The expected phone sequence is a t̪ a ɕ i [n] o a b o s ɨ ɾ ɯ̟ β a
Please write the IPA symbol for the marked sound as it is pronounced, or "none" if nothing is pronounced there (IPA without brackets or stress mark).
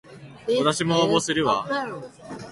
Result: m